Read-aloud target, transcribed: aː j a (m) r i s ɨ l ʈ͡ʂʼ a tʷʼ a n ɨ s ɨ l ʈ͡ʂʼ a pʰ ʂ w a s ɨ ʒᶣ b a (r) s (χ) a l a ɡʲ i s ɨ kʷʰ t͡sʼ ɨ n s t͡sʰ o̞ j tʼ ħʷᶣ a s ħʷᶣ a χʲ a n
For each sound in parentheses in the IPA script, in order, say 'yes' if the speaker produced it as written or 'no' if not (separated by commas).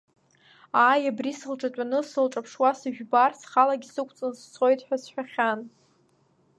no, yes, yes